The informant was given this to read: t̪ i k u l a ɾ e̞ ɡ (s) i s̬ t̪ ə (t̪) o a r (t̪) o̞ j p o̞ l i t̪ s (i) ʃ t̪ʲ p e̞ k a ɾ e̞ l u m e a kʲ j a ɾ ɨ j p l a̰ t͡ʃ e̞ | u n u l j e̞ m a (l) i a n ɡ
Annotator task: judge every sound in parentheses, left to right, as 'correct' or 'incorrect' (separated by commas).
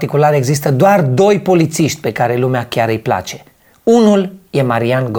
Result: incorrect, incorrect, incorrect, correct, incorrect